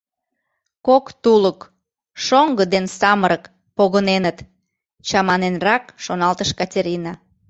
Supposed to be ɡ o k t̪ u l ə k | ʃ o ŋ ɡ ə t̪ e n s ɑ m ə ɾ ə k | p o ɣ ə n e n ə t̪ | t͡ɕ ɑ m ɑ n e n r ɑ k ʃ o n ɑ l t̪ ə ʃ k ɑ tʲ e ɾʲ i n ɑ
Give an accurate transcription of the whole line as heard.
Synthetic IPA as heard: k o k t̪ u l ə k | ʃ o ŋ ɡ ə d̪ e n s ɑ m ə ɾ ə k | p o ɣ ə n e n ə t̪ | t͡ɕ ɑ m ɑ n e n r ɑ k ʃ o n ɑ l t̪ ə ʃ k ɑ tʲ e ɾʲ i n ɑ